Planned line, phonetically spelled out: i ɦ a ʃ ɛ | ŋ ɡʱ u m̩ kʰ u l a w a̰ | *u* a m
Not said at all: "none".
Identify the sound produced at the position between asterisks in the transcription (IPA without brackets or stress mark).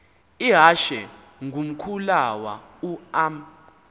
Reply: u